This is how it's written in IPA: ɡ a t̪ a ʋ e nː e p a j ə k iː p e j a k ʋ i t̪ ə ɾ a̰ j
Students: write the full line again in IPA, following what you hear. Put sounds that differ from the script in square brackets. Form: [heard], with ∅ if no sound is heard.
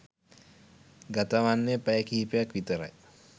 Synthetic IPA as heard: ɡ a t̪ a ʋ [a] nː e p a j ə k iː p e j a k ʋ i t̪ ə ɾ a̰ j